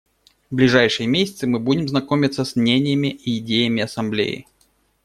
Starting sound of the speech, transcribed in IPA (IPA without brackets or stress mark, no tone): v